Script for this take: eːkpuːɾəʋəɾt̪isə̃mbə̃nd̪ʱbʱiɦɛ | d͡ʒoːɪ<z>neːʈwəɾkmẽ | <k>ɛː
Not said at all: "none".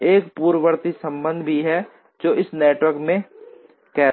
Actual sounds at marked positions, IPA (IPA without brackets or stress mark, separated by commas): s, k